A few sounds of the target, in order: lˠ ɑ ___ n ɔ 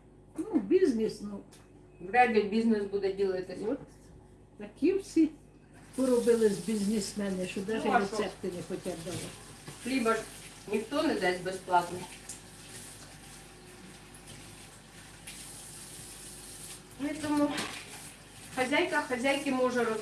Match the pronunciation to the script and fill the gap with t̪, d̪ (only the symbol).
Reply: t̪